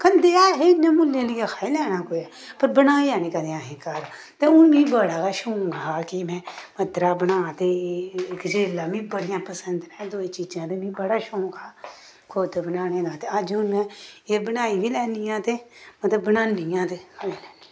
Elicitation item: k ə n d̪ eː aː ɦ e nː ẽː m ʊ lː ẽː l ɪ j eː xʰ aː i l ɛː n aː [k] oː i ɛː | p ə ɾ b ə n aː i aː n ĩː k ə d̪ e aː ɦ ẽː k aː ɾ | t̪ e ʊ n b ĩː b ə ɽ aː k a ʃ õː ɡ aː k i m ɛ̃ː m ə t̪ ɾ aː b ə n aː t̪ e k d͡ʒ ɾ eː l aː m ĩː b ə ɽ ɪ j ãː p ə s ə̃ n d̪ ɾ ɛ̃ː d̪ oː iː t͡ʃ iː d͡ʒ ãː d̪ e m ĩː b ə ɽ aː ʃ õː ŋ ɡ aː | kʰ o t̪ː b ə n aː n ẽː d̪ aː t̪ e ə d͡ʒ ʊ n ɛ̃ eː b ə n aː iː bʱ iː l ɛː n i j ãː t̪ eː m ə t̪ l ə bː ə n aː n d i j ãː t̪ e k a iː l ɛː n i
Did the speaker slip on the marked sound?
no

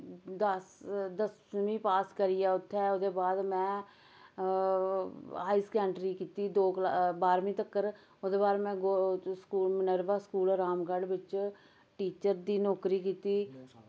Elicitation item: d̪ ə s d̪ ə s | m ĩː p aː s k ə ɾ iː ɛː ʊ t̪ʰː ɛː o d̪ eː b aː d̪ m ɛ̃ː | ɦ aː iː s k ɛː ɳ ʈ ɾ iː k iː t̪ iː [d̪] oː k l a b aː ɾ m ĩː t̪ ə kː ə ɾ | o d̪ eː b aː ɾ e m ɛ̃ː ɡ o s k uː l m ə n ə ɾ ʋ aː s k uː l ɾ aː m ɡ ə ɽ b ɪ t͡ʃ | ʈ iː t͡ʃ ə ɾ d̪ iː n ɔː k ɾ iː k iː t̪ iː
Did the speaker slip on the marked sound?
no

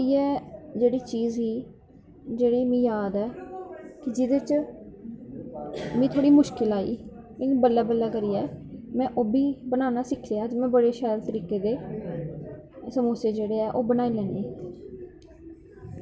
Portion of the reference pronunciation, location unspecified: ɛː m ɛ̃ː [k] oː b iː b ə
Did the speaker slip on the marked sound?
yes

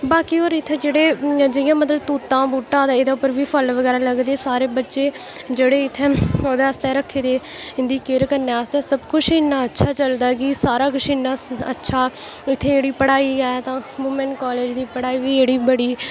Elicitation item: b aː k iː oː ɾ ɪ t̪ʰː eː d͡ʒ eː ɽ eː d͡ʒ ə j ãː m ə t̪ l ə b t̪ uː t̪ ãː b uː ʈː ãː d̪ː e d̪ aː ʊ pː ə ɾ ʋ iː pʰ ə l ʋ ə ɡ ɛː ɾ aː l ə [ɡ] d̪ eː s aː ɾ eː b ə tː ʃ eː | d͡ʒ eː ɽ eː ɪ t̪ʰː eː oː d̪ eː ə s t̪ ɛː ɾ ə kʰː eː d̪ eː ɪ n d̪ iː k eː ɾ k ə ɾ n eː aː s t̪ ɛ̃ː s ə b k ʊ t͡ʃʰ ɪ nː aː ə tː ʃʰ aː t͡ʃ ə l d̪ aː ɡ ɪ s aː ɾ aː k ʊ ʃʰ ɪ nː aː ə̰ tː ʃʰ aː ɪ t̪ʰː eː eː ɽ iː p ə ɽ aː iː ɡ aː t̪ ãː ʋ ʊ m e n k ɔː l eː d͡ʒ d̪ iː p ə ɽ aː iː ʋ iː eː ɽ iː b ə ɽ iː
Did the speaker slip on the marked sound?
no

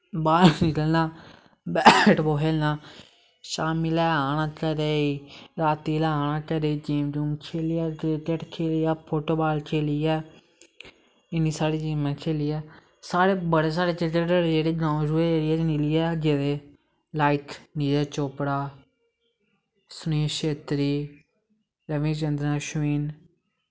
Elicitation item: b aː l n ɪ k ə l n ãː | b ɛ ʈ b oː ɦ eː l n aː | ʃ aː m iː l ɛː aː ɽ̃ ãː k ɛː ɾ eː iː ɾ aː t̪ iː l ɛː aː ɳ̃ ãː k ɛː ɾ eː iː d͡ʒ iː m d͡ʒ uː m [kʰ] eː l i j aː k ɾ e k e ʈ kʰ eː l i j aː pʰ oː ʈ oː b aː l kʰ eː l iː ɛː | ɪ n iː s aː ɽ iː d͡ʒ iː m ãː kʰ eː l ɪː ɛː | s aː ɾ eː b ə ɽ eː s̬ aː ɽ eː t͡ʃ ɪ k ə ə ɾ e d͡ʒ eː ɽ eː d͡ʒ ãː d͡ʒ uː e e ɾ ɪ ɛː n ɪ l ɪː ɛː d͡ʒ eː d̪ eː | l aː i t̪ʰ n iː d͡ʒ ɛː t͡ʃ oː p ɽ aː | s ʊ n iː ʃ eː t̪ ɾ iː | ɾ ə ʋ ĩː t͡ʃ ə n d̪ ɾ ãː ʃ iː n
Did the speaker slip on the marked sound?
no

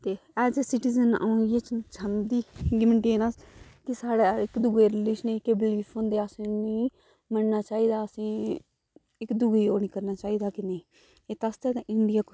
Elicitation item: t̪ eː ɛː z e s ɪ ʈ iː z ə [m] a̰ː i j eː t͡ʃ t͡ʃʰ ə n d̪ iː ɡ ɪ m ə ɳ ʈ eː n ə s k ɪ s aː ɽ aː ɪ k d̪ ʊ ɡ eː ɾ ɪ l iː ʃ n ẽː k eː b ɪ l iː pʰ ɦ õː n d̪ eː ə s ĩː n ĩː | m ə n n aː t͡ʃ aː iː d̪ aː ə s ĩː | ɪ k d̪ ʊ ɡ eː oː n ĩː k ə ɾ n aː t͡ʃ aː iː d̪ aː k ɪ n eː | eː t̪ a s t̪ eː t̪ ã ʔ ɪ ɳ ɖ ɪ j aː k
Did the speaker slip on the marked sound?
yes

